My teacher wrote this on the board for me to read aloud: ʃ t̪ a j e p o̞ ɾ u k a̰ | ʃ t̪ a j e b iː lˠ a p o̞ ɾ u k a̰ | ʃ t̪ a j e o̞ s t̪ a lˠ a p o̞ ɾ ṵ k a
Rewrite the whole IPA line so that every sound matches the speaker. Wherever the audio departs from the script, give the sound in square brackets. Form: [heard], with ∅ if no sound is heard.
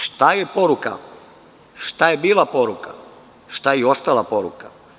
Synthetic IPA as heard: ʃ t̪ a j e p o̞ ɾ u k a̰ | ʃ t̪ a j e b iː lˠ a p o̞ ɾ u k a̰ | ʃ t̪ a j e o̞ s t̪ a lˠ a p o̞ ɾ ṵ k a